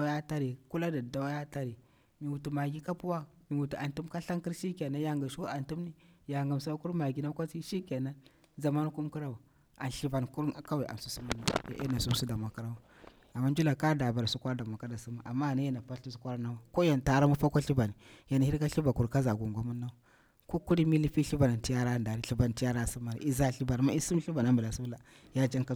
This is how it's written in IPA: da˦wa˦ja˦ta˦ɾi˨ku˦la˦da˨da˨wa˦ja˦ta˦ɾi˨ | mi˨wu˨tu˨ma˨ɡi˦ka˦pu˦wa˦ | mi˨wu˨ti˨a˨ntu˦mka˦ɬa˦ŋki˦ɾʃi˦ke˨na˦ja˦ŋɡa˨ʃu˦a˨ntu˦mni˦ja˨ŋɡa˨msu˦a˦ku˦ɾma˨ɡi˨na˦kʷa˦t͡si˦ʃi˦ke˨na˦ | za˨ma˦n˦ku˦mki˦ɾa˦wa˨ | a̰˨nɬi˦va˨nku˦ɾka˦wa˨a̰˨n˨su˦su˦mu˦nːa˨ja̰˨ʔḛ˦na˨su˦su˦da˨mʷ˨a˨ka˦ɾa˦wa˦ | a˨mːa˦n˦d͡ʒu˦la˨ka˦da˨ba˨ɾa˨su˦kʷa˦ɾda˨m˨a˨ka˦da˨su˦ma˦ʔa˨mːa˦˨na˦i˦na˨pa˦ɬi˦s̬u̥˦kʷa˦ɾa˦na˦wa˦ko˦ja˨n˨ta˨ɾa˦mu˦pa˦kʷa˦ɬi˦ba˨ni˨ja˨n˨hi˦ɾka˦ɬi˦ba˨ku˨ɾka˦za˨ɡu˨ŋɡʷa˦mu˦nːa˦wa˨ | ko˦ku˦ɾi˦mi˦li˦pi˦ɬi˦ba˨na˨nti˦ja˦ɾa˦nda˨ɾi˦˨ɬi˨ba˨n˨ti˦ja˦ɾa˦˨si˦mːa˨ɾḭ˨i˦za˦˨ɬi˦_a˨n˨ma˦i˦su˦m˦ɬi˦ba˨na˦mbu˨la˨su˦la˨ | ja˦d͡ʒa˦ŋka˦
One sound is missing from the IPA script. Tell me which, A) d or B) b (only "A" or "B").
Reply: B